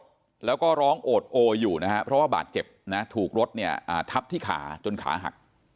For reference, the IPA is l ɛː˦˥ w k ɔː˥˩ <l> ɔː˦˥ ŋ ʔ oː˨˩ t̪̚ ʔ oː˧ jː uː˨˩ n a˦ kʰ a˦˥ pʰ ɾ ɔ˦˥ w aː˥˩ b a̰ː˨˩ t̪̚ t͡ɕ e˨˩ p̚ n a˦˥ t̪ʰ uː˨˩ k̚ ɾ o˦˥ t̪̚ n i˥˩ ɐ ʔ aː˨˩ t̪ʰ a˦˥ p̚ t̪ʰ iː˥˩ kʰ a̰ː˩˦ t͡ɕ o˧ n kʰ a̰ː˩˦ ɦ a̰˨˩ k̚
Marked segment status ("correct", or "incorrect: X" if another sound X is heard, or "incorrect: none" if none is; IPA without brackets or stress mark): incorrect: ɾ